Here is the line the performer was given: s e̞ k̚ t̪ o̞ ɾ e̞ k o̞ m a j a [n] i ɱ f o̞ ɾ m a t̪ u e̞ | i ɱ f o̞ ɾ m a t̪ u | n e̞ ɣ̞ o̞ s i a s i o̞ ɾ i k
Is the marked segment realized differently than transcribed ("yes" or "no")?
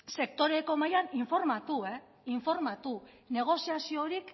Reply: no